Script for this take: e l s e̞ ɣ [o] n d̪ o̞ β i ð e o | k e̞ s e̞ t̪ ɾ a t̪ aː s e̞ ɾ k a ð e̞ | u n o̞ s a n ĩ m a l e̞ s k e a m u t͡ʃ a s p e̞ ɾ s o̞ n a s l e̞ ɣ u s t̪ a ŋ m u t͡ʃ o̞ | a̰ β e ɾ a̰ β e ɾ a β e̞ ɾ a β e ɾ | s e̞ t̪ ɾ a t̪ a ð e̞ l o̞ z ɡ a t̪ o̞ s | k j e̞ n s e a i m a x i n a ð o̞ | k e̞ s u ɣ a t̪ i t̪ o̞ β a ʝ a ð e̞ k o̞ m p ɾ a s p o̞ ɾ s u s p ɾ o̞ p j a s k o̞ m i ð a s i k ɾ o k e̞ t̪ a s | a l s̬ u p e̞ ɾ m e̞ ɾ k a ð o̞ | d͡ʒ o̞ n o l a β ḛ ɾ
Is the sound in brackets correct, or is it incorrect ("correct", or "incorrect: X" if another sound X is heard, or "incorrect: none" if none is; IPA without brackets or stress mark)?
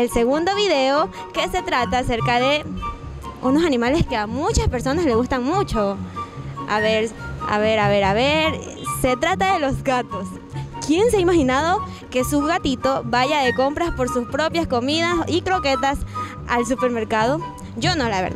incorrect: u